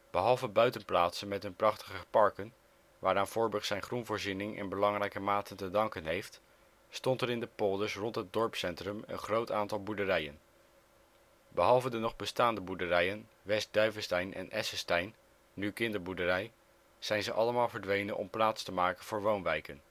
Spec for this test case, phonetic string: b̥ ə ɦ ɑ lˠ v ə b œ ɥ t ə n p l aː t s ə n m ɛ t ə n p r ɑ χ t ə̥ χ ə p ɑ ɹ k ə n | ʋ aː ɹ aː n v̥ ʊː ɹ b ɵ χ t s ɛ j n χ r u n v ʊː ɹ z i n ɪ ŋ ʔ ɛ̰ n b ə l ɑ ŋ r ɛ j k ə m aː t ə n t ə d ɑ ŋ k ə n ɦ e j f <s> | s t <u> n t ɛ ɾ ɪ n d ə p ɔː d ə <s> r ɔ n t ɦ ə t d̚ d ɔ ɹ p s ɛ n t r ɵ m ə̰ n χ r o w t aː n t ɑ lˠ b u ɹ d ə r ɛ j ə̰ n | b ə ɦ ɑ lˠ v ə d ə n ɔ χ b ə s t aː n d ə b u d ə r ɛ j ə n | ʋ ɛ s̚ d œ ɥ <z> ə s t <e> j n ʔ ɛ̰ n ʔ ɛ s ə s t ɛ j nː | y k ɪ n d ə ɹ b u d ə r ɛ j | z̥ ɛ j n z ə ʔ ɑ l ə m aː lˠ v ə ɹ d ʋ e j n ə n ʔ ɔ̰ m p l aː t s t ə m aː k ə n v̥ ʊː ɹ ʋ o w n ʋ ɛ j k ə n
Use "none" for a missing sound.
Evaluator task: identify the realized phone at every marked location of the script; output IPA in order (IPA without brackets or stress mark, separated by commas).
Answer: t, ɔ, s, v, ɛ